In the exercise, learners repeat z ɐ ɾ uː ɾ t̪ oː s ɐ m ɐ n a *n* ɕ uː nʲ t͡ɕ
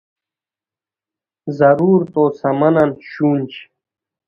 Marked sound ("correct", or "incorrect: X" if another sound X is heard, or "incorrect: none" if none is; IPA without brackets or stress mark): correct